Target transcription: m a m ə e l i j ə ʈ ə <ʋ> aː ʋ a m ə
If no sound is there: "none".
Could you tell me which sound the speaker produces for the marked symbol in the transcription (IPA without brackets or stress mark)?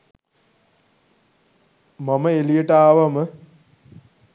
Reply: none